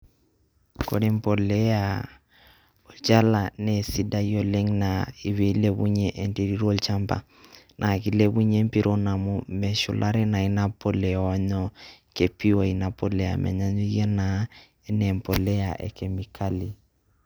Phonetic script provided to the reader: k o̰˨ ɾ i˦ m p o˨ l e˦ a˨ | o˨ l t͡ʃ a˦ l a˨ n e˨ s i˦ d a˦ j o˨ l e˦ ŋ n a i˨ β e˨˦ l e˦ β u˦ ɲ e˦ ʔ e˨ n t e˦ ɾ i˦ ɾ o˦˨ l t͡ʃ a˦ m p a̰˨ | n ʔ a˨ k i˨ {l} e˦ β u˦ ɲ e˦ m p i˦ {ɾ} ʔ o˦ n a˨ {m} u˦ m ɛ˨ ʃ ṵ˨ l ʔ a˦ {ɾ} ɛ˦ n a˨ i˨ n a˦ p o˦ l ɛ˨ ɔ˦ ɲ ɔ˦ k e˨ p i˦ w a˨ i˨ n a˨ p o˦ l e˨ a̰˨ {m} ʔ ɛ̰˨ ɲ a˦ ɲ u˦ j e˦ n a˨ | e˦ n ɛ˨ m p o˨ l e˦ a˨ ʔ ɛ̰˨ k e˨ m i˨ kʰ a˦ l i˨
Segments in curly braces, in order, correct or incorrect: correct, correct, correct, correct, correct

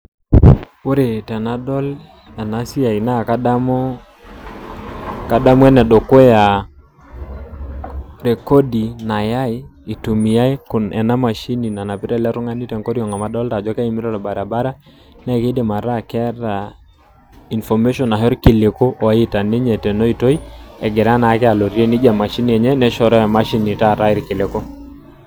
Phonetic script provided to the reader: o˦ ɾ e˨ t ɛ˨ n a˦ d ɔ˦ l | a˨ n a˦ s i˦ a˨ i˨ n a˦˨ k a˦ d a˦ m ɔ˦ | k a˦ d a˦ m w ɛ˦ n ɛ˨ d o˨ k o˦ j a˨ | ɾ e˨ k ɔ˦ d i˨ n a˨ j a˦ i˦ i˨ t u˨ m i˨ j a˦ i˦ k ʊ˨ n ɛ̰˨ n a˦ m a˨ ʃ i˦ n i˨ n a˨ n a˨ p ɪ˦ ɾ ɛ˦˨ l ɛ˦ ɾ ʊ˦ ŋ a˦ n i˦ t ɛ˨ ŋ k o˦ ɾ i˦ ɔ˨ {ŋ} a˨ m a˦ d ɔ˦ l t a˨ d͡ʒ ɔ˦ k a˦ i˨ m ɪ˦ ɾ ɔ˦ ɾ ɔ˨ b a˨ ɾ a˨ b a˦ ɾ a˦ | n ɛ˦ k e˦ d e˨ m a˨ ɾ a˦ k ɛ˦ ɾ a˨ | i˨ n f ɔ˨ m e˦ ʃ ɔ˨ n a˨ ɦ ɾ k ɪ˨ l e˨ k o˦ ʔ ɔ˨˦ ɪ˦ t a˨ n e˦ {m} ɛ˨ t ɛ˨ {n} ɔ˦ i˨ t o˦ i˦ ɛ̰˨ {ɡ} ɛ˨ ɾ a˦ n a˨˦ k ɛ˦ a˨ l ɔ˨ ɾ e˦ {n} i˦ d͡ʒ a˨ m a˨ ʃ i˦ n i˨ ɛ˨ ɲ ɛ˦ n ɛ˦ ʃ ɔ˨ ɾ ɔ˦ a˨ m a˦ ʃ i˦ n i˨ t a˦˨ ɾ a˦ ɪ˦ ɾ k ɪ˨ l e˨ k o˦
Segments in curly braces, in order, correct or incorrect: correct, incorrect: ɲ, correct, correct, correct

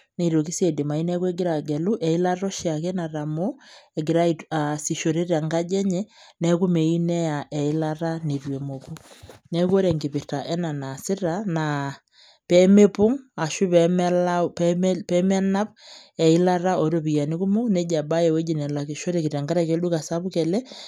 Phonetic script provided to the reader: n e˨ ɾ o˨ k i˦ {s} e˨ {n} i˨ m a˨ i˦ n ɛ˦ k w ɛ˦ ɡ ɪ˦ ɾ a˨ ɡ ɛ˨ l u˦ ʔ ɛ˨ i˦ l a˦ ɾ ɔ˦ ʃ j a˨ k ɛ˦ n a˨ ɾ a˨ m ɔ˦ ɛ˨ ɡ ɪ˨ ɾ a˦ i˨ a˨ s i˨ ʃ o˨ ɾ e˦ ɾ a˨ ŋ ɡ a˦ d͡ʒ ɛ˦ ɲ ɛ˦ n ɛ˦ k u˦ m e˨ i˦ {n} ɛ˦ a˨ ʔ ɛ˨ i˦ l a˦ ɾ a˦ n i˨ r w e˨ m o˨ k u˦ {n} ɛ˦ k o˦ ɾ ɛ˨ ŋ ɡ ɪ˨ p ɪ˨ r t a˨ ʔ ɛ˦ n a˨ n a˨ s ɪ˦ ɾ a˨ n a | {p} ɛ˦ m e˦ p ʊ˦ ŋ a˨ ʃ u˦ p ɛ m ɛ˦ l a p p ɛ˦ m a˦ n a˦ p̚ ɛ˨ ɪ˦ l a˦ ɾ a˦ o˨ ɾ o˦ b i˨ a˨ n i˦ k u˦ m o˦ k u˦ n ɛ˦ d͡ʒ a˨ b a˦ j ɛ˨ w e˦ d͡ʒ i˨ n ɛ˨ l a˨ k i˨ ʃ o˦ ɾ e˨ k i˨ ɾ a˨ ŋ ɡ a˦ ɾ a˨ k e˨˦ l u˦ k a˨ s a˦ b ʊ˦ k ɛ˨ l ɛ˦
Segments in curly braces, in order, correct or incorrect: correct, incorrect: d, correct, correct, correct

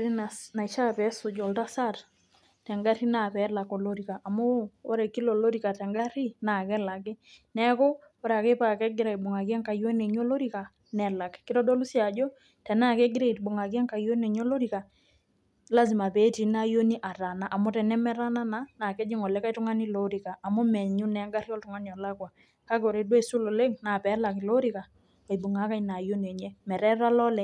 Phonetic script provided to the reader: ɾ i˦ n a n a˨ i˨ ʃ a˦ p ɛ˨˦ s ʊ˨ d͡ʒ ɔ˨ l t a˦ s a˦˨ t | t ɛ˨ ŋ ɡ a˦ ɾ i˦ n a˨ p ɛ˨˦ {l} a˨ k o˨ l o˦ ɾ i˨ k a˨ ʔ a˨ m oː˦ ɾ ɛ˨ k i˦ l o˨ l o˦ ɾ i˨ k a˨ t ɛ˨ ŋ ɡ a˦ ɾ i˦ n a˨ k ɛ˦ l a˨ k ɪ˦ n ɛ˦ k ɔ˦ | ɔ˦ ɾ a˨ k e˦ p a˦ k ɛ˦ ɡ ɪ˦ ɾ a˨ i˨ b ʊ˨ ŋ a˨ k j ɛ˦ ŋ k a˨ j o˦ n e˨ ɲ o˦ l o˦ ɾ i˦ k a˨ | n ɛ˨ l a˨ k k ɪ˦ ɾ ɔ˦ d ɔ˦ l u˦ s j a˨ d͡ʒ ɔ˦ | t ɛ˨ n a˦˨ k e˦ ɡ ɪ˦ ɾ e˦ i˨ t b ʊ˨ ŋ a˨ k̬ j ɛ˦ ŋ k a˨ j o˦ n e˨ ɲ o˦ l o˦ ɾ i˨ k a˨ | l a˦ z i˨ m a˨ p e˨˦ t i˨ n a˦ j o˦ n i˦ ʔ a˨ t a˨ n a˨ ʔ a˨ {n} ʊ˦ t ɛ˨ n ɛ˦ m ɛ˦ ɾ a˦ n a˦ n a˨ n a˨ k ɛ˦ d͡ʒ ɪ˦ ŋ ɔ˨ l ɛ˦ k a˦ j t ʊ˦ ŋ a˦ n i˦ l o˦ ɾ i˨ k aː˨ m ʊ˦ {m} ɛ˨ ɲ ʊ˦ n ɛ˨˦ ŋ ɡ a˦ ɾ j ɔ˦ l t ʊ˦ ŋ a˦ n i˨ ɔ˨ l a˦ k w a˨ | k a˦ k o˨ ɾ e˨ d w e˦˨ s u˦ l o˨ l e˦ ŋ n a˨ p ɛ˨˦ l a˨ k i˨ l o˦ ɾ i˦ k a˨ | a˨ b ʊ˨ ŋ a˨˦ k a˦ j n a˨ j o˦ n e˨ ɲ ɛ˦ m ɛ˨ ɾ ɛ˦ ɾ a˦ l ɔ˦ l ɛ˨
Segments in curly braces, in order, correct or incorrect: correct, incorrect: m, correct

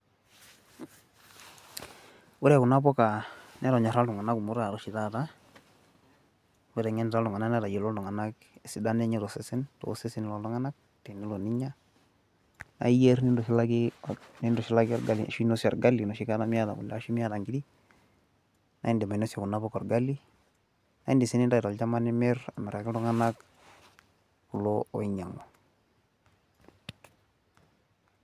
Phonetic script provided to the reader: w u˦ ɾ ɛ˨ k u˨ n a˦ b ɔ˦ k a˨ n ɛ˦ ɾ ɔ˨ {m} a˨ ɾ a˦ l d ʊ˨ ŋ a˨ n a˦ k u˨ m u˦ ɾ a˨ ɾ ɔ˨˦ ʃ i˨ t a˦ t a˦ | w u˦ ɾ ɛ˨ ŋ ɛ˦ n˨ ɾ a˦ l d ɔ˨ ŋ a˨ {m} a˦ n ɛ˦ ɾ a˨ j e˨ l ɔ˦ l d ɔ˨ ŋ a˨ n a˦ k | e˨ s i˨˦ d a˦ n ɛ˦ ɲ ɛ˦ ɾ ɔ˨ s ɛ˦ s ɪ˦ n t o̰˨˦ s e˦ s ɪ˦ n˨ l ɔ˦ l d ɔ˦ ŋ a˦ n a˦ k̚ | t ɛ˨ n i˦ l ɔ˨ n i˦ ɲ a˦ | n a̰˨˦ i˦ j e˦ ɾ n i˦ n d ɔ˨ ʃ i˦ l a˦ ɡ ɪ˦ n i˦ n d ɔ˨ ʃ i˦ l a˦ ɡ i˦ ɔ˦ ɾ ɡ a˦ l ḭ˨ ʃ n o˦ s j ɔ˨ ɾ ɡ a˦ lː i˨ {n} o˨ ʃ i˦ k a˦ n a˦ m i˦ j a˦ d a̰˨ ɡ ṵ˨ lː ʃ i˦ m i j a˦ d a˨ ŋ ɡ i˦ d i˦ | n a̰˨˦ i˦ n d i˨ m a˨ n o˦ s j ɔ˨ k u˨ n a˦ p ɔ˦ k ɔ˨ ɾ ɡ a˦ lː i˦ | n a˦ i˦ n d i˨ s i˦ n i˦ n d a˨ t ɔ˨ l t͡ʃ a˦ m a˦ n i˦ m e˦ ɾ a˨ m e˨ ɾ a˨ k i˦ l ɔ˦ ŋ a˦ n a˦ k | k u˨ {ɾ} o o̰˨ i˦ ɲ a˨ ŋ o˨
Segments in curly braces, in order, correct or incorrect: incorrect: ɲ, incorrect: n, correct, incorrect: l

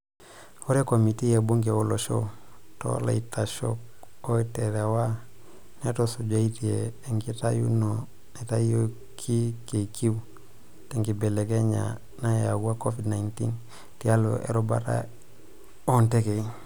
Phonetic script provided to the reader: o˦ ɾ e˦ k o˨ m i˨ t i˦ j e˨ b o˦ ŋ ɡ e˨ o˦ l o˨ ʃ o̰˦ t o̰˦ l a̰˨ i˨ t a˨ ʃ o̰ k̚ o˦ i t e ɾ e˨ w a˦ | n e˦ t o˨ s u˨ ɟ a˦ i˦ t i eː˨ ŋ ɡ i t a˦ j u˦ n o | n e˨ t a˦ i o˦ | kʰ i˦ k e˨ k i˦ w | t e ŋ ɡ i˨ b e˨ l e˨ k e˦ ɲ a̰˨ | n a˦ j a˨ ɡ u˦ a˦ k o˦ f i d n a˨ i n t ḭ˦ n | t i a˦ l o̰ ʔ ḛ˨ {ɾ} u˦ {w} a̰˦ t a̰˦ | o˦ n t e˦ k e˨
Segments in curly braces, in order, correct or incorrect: correct, incorrect: b

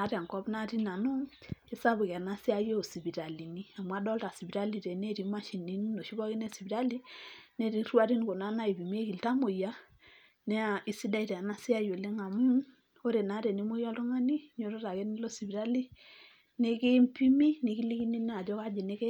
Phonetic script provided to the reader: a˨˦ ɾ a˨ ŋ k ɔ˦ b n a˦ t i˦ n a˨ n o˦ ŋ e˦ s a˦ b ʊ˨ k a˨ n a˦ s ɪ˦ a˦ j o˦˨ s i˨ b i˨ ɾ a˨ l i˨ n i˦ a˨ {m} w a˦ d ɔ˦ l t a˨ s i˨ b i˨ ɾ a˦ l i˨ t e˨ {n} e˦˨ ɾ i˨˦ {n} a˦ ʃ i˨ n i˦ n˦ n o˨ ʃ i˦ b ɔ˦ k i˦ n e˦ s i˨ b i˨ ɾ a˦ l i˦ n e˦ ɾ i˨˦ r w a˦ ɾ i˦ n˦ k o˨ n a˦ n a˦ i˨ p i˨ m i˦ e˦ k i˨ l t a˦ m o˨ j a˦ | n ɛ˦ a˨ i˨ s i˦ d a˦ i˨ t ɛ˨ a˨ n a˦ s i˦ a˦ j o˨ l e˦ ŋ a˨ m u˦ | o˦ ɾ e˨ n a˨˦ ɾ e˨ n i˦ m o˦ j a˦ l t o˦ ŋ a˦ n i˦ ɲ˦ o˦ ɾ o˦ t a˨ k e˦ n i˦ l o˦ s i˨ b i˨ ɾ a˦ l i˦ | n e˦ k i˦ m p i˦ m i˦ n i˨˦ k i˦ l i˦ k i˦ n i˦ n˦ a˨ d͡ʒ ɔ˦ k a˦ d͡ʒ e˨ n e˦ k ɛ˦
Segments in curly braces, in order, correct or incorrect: correct, correct, incorrect: m

